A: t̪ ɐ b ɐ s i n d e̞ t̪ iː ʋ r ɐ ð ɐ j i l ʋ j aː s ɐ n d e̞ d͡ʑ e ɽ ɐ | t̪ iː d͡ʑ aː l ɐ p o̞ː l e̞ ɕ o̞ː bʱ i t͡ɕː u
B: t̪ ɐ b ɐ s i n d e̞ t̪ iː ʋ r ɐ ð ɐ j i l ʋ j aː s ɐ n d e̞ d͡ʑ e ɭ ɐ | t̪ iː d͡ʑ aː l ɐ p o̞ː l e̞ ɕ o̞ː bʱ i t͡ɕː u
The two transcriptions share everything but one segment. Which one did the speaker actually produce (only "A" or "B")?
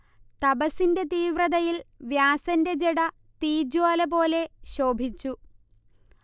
A